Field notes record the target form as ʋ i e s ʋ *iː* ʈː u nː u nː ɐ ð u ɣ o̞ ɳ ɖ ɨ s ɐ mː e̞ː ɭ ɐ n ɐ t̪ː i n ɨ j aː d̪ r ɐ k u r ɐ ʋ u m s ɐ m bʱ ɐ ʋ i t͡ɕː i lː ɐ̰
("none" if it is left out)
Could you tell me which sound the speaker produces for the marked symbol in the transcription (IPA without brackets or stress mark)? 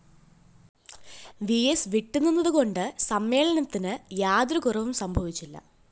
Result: i